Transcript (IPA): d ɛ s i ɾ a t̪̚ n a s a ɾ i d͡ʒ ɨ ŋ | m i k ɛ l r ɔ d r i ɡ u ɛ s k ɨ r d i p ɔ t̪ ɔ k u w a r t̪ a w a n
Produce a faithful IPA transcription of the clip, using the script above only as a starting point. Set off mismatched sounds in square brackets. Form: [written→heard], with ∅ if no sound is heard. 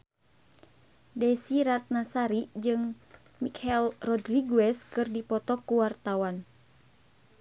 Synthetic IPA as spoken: d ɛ s i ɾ a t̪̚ n a s a ɾ i d͡ʒ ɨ ŋ | m i k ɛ l r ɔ d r i ɡ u ɛ s k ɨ r d i p ɔ t̪ ɔ k u w a r t̪ a w a n